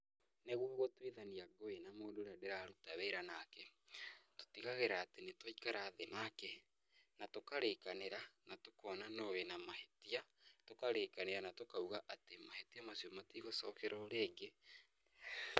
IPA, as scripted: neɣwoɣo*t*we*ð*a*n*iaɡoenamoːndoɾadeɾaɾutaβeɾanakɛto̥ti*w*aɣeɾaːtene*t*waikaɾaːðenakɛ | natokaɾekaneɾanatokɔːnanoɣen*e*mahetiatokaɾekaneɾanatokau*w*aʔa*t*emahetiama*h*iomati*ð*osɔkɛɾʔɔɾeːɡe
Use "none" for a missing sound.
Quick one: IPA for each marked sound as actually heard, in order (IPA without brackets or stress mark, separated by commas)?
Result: t, ð, n, ɣ, t, a, ɣ, t, s, ɣ